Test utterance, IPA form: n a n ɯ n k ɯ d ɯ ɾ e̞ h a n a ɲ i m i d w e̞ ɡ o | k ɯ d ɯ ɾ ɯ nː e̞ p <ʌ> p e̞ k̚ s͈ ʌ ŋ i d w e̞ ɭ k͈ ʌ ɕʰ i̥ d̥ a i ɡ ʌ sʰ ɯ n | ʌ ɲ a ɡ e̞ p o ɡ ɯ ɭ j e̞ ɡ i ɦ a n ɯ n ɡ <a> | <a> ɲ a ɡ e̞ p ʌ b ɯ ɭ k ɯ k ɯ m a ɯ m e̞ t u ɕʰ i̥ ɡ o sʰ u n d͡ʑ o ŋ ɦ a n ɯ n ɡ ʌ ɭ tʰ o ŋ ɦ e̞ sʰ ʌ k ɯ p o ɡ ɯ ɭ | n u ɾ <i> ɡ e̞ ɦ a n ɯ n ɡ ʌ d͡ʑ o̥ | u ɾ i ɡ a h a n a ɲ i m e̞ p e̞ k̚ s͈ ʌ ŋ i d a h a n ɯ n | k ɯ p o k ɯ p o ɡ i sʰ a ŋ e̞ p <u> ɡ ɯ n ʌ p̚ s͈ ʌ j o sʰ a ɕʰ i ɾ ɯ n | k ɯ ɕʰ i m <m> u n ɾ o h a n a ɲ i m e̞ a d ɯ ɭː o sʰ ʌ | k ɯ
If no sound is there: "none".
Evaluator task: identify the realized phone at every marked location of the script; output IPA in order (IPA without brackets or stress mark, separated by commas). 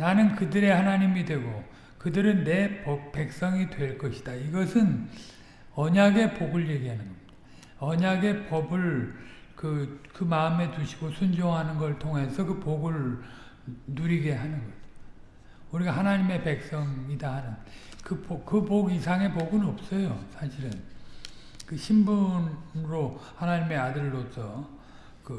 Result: ʌ, ʌ, ʌ, i, o, b